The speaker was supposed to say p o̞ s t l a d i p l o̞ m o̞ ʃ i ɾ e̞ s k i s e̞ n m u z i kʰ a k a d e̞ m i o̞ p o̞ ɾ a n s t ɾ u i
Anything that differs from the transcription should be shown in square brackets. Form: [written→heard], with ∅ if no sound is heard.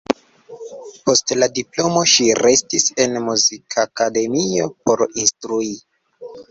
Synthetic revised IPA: p o̞ s t l a d i p l o̞ m o̞ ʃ i ɾ e̞ s [k→t] i s e̞ n m u z i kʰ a k a d e̞ m i o̞ p o̞ ɾ [a→i] n s t ɾ u i